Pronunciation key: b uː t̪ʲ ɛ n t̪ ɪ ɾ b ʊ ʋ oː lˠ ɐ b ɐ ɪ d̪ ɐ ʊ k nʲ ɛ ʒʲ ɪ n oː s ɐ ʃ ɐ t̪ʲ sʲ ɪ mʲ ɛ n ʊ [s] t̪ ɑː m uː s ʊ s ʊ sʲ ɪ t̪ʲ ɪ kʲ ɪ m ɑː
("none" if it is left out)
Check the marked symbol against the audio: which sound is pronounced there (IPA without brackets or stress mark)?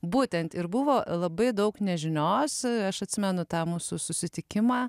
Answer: none